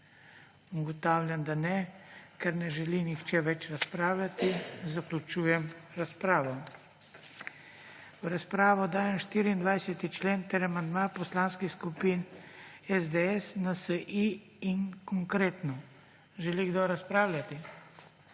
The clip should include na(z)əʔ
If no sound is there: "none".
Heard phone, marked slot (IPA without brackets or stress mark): s